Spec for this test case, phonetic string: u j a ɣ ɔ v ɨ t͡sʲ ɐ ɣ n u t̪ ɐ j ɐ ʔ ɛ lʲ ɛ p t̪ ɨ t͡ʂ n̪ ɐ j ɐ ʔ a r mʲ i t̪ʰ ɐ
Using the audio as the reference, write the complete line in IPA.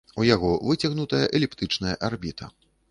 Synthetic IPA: u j a ɣ ɔ v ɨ t͡sʲ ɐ ɣ n u t̪ ɐ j ɐ ʔ ɛ lʲ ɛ p t̪ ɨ t͡ʂ n̪ ɐ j ɐ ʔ a r bʲ i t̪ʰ ɐ